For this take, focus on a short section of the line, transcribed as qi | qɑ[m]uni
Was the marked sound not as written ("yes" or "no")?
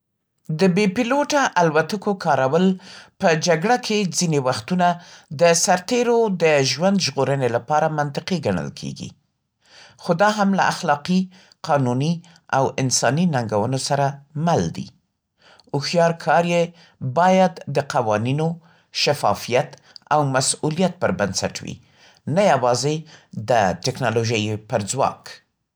yes